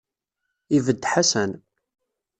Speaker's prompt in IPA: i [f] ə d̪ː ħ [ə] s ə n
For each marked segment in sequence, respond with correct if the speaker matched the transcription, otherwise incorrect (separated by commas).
incorrect, incorrect